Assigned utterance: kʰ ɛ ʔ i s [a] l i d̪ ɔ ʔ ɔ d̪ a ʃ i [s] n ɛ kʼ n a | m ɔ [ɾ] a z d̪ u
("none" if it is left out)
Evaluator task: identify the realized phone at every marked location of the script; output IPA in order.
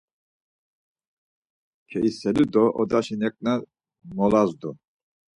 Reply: ɛ, none, l

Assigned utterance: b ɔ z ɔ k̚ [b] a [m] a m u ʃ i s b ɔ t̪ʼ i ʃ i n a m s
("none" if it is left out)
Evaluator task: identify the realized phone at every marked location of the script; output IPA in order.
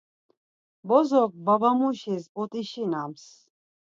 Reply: b, b

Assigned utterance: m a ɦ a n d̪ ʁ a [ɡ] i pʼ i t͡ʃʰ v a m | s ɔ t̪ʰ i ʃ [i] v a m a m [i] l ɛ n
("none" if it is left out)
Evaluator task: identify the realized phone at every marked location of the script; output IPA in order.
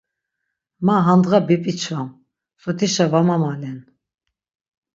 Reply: b, a, a

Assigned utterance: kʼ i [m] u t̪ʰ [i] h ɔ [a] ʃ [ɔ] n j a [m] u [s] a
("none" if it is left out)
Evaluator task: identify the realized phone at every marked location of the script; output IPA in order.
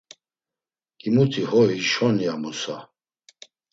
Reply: m, i, i, ɔ, m, s

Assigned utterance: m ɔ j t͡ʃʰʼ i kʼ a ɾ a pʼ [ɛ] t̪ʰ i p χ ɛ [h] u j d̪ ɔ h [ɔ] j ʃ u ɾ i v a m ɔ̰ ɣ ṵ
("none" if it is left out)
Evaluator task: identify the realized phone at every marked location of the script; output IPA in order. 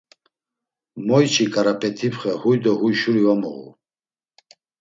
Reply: ɛ, h, u

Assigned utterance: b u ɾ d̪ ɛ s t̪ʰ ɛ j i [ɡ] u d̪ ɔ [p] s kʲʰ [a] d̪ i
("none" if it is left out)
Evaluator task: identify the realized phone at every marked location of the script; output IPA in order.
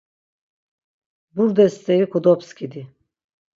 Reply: k, p, i

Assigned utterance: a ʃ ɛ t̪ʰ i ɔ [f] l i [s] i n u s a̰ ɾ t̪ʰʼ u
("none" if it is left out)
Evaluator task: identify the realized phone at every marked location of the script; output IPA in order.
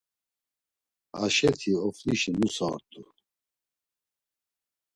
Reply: f, ʃ

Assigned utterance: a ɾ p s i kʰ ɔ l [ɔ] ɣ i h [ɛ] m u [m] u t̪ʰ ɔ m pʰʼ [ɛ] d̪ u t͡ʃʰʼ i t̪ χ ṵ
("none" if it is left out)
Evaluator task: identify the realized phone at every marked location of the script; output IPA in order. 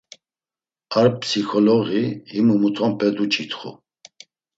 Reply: ɔ, i, m, ɛ

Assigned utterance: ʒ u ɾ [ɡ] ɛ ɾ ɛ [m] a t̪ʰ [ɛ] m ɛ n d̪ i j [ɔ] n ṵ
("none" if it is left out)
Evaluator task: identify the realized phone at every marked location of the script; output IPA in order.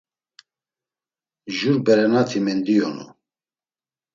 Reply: b, n, i, ɔ

